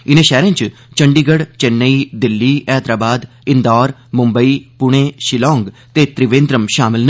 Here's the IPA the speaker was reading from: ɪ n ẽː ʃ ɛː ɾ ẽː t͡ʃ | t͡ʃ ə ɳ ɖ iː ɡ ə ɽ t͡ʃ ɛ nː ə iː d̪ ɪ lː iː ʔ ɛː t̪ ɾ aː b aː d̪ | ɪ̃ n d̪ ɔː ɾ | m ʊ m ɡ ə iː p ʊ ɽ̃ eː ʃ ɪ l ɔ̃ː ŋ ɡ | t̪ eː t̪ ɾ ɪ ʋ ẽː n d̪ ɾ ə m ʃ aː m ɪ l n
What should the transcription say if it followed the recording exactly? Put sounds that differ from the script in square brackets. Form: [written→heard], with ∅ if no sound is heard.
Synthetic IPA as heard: ɪ n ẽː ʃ ɛː ɾ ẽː t͡ʃ | t͡ʃ ə ɳ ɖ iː ɡ ə ɽ t͡ʃ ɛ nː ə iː d̪ ɪ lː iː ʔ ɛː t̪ ɾ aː b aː d̪ | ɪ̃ n d̪ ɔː ɾ | m ʊ m [ɡ→b] ə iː p ʊ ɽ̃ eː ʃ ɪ l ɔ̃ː ŋ ɡ | t̪ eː t̪ ɾ ɪ ʋ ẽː n d̪ ɾ ə m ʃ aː m ɪ l n

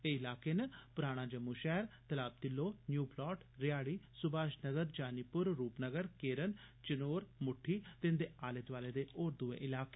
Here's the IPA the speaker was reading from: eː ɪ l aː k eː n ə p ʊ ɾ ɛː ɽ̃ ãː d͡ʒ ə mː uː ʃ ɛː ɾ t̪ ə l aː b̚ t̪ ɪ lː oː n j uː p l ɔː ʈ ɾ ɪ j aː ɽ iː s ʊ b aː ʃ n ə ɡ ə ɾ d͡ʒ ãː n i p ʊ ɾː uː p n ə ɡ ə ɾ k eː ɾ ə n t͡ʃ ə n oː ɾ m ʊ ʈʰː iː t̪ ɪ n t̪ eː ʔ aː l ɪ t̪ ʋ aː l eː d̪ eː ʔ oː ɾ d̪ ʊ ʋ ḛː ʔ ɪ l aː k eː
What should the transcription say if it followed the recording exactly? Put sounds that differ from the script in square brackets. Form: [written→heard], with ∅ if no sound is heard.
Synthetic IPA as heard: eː ɪ l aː k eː n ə p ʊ ɾ [ɛː→aː] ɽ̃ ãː d͡ʒ ə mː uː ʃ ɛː ɾ t̪ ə l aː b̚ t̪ ɪ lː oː n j uː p l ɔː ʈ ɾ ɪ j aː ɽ iː s ʊ b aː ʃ n ə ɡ ə ɾ d͡ʒ [ãː→aː] n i p ʊ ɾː uː p n ə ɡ ə ɾ k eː ɾ ə n t͡ʃ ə n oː ɾ m ʊ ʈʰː iː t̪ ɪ n [t̪→d̪] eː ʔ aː l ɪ t̪ ʋ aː l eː d̪ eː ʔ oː ɾ d̪ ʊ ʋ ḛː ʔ ɪ l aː k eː

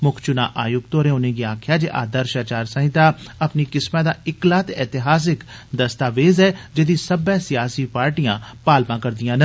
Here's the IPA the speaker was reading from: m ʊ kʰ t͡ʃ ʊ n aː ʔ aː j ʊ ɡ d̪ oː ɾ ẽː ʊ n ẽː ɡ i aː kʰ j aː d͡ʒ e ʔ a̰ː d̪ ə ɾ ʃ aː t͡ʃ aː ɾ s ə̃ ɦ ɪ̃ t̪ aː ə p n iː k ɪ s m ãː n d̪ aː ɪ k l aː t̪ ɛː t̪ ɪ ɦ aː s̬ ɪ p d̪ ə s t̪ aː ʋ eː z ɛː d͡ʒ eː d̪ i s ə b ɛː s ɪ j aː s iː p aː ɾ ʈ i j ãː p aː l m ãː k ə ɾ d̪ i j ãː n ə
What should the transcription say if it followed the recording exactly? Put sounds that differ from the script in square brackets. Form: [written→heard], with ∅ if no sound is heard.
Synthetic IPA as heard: m ʊ kʰ t͡ʃ ʊ n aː ʔ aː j ʊ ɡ [d̪→t̪] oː ɾ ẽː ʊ n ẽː ɡ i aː kʰ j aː d͡ʒ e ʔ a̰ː d̪ ə ɾ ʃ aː t͡ʃ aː ɾ s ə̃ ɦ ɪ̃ t̪ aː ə p n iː k ɪ s m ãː [n→∅] d̪ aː ɪ k l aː t̪ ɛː t̪ ɪ ɦ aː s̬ ɪ [p→k] d̪ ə s t̪ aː ʋ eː z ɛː d͡ʒ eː d̪ i s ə b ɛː s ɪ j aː s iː p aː ɾ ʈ i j ãː p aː l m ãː k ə ɾ d̪ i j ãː n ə

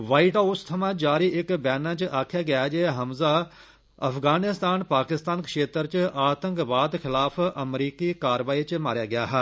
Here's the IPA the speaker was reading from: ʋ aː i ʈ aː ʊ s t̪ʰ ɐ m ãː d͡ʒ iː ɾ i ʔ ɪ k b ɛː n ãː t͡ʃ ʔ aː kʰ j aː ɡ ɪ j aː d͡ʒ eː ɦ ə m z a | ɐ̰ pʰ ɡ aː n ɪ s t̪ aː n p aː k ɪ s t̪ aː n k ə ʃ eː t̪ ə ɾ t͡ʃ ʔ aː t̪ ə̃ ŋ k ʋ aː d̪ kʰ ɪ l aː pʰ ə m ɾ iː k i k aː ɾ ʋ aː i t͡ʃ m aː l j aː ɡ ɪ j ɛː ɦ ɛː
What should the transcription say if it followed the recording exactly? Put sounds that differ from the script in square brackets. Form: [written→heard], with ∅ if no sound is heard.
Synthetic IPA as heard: ʋ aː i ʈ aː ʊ s t̪ʰ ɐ m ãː d͡ʒ [iː→aː] ɾ i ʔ ɪ k b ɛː n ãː t͡ʃ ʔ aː kʰ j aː ɡ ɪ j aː d͡ʒ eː ɦ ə m z a | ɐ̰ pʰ ɡ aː n ɪ s t̪ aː n p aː k ɪ s t̪ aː n k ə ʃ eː t̪ ə ɾ t͡ʃ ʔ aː t̪ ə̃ ŋ k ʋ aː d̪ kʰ ɪ l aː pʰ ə m ɾ iː k i k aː ɾ ʋ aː i t͡ʃ m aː [l→ɾ] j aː ɡ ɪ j [ɛː→aː] ɦ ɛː

